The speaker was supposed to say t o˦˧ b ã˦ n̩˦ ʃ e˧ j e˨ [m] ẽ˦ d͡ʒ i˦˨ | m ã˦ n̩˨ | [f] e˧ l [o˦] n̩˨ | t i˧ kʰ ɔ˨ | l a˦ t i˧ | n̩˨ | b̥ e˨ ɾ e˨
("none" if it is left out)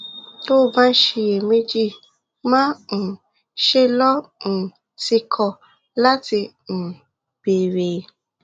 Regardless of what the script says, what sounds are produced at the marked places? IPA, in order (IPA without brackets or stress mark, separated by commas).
m, ʃ, ɔ˦